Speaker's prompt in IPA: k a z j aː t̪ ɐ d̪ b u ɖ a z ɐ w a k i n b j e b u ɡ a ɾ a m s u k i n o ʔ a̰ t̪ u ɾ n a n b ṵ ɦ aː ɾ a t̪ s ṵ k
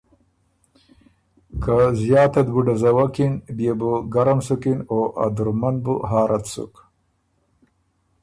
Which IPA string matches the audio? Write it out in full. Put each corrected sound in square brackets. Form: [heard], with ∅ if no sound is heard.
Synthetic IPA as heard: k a z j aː t̪ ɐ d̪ b u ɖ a z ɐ w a k i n b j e b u ɡ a ɾ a m s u k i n o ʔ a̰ [d̪] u ɾ [m] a n b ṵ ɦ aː ɾ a t̪ s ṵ k